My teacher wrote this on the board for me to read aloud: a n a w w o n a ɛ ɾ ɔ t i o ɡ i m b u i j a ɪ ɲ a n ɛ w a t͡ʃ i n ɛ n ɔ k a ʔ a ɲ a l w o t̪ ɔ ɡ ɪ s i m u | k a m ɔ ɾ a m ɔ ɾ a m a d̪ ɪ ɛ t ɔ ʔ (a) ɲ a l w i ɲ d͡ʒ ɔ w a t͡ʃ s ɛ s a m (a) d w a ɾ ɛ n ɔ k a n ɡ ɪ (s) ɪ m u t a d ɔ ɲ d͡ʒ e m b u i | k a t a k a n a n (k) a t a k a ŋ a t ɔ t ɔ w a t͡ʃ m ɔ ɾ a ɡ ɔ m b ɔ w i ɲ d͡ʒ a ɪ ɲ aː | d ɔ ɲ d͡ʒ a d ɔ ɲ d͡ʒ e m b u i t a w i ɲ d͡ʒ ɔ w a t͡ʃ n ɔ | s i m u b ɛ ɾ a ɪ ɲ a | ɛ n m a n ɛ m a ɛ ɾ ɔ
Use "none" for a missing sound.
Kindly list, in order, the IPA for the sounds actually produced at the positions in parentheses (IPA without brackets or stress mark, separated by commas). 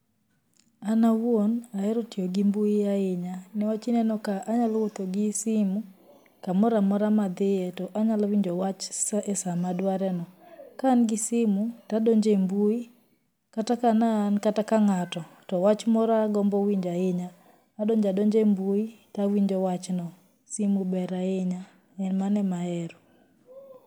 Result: a, a, s, k